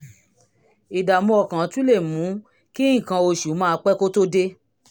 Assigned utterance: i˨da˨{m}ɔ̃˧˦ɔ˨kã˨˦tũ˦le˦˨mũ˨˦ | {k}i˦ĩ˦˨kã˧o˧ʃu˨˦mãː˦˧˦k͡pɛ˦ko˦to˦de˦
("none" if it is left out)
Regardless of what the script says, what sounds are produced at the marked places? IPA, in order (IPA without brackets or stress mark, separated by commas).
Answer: m, k